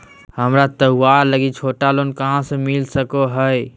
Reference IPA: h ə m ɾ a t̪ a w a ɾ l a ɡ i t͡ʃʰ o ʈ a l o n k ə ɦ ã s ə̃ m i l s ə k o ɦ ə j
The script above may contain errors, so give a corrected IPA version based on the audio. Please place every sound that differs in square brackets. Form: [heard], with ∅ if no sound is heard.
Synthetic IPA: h ə m ɾ a t̪ [ə] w a ɾ l [ə] ɡ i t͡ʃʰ o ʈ a l o n k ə ɦ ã s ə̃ m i l s ə k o ɦ ə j